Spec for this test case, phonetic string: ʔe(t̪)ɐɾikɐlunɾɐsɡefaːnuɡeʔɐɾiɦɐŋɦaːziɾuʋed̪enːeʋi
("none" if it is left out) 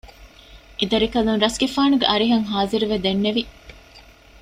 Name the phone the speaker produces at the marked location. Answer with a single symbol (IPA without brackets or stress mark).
d̪